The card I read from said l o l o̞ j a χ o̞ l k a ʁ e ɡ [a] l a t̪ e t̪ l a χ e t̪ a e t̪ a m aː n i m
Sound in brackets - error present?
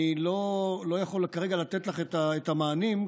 no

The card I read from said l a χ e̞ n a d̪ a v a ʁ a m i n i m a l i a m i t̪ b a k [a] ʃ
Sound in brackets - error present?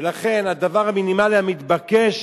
yes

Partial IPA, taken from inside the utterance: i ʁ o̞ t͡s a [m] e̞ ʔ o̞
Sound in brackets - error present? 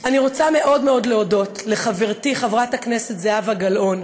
no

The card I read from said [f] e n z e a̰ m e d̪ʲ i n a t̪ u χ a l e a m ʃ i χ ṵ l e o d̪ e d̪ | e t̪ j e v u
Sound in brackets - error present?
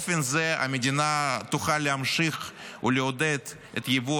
no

